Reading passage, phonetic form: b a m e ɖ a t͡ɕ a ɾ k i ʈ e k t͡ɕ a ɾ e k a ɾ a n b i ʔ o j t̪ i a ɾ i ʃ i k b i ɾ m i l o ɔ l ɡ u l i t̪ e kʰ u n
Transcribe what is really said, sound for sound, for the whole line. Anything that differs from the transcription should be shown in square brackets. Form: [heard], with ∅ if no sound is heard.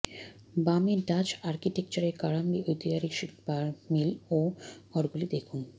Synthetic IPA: b a m e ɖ a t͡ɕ a ɾ k i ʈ e k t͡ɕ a ɾ e k a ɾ a [m] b i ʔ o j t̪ i a ɾ i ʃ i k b [a] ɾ m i l o ɔ [ɾ] ɡ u l i [d̪] e kʰ u n